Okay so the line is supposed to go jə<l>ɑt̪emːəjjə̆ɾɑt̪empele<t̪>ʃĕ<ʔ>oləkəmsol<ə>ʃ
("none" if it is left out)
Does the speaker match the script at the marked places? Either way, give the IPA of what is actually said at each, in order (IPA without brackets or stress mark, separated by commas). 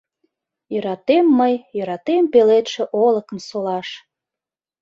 ɾ, t̪, ʔ, ɑ